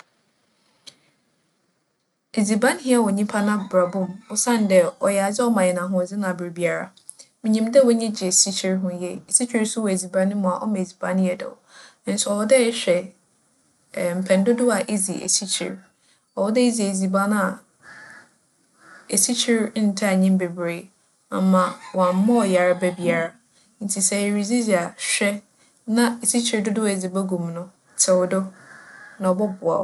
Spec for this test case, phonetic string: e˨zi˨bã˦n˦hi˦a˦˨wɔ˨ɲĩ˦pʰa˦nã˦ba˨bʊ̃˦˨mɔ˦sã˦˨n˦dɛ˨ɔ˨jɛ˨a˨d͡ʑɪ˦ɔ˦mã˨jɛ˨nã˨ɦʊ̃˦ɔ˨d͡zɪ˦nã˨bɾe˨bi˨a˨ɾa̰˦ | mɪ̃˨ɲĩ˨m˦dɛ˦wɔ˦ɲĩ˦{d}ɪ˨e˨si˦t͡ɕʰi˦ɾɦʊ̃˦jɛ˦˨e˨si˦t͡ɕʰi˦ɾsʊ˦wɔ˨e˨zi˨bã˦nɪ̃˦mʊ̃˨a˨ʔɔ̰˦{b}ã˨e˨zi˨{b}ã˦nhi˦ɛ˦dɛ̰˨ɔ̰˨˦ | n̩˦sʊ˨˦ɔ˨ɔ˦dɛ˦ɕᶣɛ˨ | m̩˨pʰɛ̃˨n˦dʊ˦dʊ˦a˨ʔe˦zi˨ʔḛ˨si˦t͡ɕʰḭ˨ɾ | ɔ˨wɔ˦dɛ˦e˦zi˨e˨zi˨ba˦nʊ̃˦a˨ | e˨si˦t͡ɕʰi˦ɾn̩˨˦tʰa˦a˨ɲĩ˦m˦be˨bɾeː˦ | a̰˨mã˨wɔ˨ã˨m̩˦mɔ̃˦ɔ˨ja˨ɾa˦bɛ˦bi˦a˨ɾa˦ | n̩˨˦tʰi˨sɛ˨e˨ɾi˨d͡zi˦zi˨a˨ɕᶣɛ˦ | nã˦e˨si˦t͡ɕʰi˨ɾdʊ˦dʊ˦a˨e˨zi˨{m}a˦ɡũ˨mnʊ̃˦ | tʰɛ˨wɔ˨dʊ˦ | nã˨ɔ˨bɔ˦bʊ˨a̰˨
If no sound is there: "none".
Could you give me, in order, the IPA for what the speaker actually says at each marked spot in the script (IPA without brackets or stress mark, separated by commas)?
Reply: d͡ʑ, m, b, b